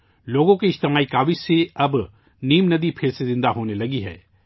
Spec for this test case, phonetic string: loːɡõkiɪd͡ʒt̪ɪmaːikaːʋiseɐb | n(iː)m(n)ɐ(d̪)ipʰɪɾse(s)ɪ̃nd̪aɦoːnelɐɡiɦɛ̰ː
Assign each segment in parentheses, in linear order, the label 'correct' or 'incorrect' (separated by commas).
correct, correct, correct, incorrect